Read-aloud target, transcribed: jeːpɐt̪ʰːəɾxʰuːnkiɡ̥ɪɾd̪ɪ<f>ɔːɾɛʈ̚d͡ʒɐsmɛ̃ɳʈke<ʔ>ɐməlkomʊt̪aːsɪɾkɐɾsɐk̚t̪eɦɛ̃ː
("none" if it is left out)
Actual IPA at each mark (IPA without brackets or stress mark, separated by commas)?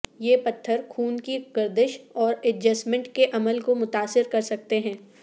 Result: ʃ, ʔ